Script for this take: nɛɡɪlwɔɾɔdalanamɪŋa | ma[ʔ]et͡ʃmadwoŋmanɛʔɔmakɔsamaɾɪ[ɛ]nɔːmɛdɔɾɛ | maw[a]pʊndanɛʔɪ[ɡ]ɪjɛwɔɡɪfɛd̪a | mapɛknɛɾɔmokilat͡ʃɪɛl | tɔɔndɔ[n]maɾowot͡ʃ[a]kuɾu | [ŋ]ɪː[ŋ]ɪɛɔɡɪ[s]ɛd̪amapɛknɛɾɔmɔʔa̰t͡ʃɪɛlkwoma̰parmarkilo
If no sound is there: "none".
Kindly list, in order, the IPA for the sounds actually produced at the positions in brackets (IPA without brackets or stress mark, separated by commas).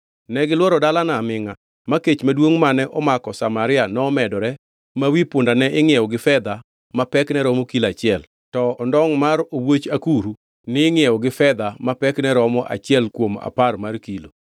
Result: k, a, i, ŋ, ŋ, a, n, ŋ, f